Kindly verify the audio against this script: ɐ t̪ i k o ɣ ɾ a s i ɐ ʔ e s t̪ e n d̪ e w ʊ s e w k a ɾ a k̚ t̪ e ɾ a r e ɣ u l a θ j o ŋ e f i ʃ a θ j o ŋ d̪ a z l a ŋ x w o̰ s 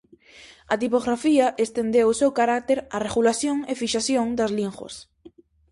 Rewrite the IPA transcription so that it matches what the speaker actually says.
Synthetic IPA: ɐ t̪ i p o ɣ ɾ a f i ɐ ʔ e s t̪ e n d̪ e w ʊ s e w k a ɾ a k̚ t̪ e ɾ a r e ɣ u l a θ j o ŋ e f i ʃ a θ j o ŋ d̪ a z l i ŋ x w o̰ s